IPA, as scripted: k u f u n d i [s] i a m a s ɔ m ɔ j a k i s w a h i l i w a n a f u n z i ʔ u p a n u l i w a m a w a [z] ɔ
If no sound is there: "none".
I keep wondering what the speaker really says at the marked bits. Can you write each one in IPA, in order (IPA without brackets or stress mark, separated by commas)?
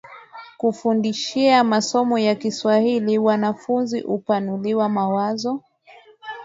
ʃ, z